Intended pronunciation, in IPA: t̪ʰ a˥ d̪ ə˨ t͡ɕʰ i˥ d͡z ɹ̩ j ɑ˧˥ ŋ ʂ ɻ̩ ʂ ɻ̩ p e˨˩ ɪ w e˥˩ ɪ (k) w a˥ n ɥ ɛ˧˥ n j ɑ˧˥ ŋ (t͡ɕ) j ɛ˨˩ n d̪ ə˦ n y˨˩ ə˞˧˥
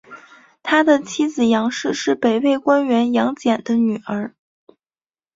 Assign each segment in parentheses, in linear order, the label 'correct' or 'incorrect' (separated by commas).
correct, correct